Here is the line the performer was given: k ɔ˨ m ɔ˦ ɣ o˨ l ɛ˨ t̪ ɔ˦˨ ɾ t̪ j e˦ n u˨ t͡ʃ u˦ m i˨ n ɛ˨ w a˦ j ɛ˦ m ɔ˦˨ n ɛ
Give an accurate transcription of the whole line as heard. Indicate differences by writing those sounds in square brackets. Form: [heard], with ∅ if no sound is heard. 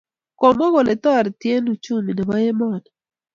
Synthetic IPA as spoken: k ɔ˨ m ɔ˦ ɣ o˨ l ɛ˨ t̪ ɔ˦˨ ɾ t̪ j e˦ n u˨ t͡ʃ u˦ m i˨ n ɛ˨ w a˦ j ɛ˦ m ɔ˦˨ n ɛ